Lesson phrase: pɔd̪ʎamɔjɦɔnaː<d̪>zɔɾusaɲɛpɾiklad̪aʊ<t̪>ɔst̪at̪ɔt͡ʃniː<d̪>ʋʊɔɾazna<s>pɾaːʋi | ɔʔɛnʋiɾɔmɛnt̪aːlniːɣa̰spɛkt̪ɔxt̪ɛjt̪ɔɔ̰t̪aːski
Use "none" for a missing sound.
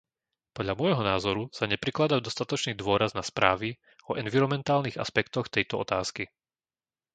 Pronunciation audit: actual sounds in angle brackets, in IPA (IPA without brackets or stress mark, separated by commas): none, d̪, d̪, s